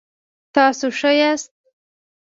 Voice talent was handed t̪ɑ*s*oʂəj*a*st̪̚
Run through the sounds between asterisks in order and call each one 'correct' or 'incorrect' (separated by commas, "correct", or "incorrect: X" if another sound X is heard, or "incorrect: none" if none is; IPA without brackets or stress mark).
correct, correct